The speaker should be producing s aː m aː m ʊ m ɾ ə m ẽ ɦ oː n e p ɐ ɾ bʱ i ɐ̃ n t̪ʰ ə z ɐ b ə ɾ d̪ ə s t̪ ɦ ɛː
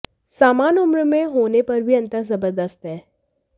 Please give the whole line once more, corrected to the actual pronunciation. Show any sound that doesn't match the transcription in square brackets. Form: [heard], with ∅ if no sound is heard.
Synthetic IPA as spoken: s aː m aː [n] ʊ m ɾ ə m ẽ ɦ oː n e p ɐ ɾ bʱ i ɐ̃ n [t̪] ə z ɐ b ə ɾ d̪ ə s t̪ ɦ ɛː

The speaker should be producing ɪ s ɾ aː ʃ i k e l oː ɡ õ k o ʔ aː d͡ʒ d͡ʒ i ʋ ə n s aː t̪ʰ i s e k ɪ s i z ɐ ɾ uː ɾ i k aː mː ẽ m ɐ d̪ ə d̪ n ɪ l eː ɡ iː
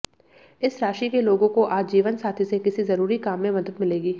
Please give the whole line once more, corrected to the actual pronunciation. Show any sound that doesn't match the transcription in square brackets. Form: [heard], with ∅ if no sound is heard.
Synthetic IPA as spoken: ɪ s ɾ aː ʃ i k e l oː ɡ õ k o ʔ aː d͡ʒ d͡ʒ [iː] ʋ ə n s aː t̪ʰ i s e k ɪ s i z ɐ ɾ uː ɾ i k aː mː ẽ m ɐ d̪ ə d̪ [m] ɪ l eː ɡ iː

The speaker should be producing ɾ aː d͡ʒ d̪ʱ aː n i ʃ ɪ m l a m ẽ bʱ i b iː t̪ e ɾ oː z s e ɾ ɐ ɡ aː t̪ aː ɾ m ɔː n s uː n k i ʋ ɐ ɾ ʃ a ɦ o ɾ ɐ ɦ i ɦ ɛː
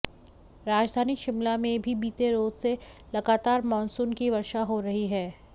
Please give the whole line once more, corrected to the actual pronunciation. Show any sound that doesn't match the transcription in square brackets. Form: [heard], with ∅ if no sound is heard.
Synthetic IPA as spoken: ɾ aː d͡ʒ d̪ʱ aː n i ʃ ɪ m l a m ẽ bʱ i b iː t̪ e ɾ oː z s e [l] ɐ ɡ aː t̪ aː ɾ m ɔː n s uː n k i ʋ ɐ ɾ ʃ a ɦ o ɾ ɐ ɦ i ɦ ɛː

